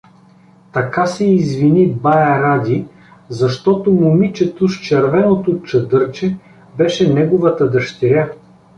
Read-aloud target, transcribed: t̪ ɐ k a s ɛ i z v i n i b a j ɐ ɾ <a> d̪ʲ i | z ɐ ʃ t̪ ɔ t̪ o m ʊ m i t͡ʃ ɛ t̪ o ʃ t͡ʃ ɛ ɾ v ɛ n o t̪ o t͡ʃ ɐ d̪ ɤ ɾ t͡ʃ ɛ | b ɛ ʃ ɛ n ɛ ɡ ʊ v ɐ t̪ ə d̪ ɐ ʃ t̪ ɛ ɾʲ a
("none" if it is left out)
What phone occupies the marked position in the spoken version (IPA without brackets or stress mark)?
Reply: a